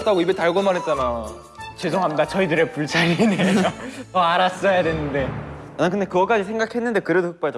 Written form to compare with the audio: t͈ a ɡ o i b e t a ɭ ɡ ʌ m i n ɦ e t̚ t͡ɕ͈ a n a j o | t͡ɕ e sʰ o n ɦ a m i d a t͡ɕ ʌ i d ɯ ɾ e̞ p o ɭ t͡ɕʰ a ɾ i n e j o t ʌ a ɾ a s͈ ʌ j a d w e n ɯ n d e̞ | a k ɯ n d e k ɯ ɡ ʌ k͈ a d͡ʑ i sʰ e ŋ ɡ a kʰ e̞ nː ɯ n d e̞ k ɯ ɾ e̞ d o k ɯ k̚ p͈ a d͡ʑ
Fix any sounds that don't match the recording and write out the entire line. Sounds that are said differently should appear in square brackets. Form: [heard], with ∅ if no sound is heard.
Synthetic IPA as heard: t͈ a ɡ o i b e t a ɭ ɡ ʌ m [a] n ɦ e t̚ t͡ɕ͈ a n a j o | t͡ɕ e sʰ o [ŋ] ɦ a m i d a t͡ɕ ʌ i d ɯ ɾ e̞ p [u] ɭ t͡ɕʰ a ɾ i n e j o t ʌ a ɾ a s͈ ʌ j a d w e n ɯ n d e̞ | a k ɯ n d e k ɯ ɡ ʌ k͈ a d͡ʑ i sʰ e ŋ ɡ a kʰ e̞ nː ɯ n d e̞ k ɯ ɾ e̞ d o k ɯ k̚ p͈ a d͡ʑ